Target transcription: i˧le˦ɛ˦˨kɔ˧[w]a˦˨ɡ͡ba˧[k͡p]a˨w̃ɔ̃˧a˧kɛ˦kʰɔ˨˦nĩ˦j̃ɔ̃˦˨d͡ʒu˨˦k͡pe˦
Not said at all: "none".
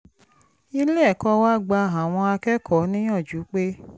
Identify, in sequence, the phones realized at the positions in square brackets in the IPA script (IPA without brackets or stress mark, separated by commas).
w, none